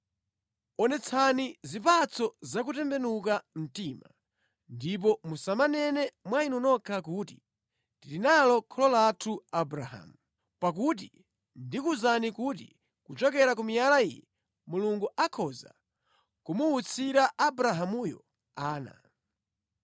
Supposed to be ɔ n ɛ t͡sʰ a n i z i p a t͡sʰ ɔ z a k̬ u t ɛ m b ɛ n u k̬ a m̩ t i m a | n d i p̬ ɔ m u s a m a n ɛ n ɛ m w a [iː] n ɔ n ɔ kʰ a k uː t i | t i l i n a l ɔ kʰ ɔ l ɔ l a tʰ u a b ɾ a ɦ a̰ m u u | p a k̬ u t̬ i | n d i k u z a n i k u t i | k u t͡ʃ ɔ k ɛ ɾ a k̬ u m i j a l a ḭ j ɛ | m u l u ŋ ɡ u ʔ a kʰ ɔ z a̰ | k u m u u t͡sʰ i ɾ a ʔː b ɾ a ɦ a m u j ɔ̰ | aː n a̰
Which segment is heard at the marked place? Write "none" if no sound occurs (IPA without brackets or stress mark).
i